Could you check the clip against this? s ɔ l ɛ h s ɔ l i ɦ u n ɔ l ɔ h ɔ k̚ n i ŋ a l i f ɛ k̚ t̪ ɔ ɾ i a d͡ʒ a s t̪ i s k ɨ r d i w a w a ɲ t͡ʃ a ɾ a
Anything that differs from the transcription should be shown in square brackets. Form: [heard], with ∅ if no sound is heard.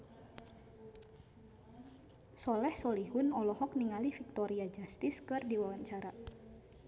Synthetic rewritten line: s ɔ l ɛ h s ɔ l i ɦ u n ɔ l ɔ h ɔ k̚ n i ŋ a l i f [i] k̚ t̪ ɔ ɾ i a d͡ʒ a s t̪ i s k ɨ r d i w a w a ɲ t͡ʃ a ɾ a